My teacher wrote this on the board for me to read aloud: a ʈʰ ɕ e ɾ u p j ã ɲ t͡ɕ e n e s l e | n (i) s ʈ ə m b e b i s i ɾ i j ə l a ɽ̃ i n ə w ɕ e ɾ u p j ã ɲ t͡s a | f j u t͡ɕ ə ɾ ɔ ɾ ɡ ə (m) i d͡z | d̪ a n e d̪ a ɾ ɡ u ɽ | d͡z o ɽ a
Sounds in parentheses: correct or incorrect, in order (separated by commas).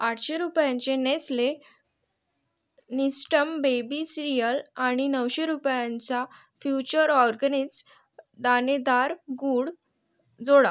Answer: correct, incorrect